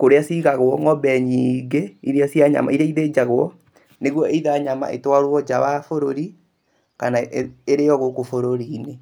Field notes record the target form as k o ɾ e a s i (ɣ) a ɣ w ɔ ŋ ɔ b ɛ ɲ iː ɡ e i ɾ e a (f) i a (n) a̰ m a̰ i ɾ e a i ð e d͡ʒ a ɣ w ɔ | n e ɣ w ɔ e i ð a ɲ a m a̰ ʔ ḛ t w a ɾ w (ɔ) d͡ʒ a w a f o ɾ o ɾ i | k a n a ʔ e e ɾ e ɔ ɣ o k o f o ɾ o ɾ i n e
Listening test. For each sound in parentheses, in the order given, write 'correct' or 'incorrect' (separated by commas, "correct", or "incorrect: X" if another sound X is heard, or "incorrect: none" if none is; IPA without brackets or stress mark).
correct, incorrect: s, incorrect: ɲ, correct